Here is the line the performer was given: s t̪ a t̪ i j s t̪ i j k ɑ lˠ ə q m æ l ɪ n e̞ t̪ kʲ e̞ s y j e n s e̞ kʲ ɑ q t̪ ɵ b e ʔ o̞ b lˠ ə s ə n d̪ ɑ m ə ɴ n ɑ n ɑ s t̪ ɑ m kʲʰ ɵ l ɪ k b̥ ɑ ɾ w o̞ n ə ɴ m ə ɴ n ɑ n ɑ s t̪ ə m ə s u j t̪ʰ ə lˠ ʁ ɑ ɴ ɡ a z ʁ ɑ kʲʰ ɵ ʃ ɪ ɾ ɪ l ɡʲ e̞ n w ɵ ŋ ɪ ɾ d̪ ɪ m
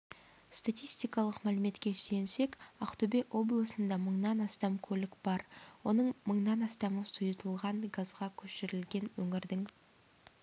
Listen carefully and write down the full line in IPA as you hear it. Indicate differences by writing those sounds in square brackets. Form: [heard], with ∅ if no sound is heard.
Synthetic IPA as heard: s t̪ a t̪ i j s t̪ i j k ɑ lˠ ə q m æ l ɪ [m] e̞ t̪ kʲ e̞ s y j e n s e̞ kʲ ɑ q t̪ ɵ b e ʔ o̞ b lˠ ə s ə n d̪ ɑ m ə ɴ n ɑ n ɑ s t̪ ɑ m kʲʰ ɵ l ɪ k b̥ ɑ ɾ w o̞ n ə ɴ m ə ɴ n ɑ n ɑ s t̪ [ɑ] m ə s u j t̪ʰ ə lˠ ʁ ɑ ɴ ɡ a z ʁ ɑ kʲʰ ɵ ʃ ɪ ɾ ɪ l ɡʲ e̞ n w ɵ ŋ ɪ ɾ d̪ ɪ [ŋ]